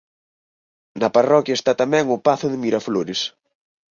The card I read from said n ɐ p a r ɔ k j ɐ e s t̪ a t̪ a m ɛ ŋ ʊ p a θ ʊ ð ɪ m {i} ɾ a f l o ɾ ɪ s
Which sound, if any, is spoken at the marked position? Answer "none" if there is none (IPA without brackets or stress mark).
i